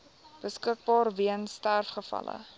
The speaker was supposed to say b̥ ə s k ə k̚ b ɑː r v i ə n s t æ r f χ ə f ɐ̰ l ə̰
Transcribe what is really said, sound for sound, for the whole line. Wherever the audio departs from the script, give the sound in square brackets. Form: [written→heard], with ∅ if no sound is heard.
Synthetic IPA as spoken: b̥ ə s k ə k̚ b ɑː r v i ə n s t æ r f χ ə f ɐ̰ l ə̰